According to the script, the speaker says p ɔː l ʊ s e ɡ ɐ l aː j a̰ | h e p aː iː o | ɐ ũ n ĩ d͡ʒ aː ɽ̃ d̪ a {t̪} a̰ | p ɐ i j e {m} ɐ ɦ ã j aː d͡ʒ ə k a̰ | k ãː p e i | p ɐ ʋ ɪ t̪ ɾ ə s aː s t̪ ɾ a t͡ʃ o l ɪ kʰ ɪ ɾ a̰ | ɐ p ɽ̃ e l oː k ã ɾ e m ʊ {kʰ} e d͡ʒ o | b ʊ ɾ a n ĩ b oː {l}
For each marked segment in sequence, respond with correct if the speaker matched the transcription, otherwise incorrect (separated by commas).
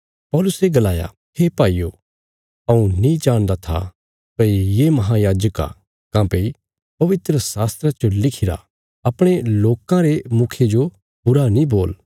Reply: incorrect, correct, correct, correct